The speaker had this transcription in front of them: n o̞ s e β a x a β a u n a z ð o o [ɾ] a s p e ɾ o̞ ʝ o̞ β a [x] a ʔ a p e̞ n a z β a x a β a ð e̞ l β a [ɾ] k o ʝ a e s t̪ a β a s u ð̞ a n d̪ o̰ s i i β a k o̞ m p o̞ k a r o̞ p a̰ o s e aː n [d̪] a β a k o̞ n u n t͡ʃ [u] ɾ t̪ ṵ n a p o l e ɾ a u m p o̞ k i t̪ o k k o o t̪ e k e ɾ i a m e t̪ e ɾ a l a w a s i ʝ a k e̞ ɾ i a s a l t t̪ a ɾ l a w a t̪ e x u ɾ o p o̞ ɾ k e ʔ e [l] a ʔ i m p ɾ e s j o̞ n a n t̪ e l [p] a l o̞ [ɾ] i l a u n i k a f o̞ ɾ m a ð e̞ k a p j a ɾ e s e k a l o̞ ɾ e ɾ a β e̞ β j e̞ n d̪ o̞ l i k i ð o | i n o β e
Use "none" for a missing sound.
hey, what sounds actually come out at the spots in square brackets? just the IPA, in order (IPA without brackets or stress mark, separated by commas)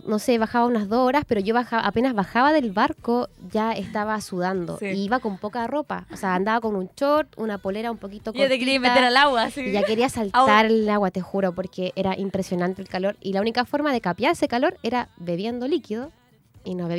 ɾ, x, ɾ, d̪, o, ɾ, k, ɾ